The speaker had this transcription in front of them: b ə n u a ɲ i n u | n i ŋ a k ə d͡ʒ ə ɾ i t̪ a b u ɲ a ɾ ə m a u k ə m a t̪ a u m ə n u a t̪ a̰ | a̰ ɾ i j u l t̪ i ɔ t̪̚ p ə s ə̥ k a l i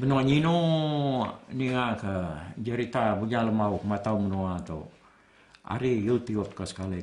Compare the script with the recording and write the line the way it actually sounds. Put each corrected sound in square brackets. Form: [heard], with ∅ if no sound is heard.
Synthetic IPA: b ə n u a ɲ i n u | n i ŋ a k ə d͡ʒ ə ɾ i t̪ a b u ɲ a [l] ə m a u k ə m a t̪ a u m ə n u a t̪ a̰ | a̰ ɾ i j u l t̪ i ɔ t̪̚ [k] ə s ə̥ k a l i